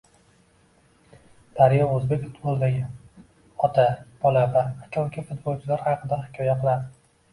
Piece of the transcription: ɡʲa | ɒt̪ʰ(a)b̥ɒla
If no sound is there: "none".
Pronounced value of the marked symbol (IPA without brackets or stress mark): a